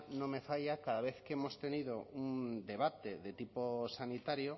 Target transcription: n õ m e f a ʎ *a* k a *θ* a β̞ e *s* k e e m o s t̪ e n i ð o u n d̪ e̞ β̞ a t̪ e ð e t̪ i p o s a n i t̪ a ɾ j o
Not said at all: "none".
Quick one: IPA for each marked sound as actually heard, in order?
a, ð, θ

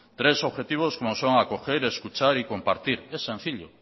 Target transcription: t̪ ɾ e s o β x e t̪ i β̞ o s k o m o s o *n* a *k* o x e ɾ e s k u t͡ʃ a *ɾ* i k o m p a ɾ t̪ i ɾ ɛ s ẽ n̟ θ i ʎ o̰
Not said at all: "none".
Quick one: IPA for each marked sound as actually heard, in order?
ŋ, k, ɾ

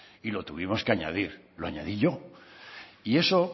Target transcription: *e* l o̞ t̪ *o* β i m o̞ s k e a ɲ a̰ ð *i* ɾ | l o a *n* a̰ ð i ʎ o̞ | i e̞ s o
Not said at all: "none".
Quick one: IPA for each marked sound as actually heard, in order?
i, u, i, ɲ

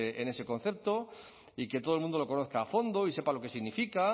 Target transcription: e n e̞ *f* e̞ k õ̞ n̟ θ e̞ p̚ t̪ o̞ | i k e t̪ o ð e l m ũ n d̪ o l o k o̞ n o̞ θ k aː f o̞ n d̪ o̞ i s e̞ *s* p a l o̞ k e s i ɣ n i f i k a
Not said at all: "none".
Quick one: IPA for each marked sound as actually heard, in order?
s, none

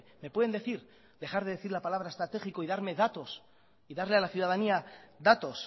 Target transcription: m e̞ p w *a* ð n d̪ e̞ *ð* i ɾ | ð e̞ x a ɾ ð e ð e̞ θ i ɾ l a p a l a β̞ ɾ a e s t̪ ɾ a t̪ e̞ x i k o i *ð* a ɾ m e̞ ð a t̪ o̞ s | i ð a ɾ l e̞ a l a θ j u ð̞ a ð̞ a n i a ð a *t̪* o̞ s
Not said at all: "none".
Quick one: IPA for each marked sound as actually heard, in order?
e, θ, ð, t̪

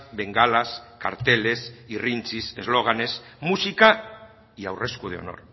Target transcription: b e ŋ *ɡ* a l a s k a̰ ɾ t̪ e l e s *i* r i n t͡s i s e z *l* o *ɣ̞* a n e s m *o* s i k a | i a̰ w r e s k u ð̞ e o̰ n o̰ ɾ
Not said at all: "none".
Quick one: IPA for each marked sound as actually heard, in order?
ɡ, i, l, ɣ̞, u

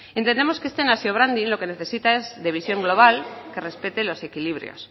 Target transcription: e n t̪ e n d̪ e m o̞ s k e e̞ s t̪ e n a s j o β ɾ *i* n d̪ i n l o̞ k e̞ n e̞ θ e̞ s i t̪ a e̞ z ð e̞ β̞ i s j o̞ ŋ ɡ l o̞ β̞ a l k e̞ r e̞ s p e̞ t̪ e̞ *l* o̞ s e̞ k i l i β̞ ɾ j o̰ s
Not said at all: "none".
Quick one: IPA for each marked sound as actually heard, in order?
a, l

